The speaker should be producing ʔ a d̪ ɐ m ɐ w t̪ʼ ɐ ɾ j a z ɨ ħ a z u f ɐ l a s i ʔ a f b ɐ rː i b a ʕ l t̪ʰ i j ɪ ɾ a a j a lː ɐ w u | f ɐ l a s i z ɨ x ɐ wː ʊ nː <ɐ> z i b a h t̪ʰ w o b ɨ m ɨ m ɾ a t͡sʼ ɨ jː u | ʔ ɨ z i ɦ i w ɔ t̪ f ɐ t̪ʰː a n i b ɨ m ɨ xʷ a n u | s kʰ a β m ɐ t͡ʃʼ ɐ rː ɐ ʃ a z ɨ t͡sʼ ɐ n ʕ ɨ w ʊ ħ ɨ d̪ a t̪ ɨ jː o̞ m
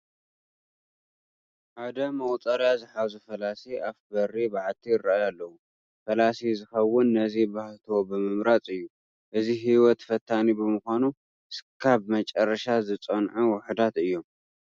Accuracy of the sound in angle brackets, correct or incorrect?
correct